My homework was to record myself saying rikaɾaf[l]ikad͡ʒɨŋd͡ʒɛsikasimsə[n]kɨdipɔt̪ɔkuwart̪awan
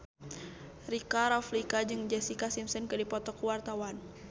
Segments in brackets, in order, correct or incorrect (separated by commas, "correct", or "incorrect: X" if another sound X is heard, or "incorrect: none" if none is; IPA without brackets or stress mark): correct, correct